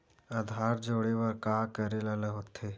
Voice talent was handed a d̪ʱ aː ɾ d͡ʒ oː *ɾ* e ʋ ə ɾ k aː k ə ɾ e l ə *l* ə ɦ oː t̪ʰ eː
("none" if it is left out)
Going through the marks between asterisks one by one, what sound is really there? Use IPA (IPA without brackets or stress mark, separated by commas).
ɽ, l